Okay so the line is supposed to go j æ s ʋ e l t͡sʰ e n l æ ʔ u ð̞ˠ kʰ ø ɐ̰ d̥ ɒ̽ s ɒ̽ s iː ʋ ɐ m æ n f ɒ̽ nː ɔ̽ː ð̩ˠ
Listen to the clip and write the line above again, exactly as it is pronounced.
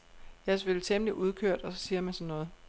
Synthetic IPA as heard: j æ s ʋ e l t͡sʰ e m l i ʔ u ð̞ˠ kʰ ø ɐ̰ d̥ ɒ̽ s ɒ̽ s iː ɐ m æ n s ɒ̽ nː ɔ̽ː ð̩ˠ